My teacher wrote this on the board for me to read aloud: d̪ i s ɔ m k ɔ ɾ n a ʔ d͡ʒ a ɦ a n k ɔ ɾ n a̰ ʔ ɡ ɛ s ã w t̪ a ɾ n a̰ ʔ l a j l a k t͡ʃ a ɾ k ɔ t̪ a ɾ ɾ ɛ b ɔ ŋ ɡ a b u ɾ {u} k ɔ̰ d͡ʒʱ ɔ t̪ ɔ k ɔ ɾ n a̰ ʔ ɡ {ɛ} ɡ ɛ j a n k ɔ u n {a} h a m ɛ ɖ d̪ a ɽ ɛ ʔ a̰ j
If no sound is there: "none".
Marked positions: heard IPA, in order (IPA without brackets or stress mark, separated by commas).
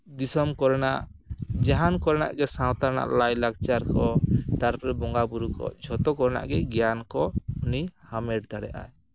u, ɛ, i